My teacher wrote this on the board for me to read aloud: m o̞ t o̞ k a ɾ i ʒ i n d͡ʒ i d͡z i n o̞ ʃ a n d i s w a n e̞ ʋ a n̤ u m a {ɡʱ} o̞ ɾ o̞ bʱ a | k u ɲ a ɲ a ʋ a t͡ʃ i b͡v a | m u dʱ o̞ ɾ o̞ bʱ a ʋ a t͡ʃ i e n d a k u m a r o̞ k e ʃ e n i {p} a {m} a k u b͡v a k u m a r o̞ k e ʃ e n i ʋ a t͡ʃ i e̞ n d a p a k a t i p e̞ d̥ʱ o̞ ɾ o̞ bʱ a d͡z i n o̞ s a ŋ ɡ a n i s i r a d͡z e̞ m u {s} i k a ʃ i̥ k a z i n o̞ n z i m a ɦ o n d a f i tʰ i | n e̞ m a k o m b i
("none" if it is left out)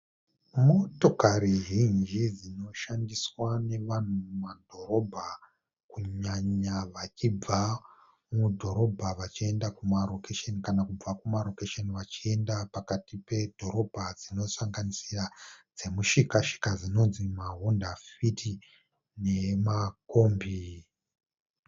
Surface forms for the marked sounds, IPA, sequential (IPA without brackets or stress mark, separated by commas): dʱ, k, n, ʃ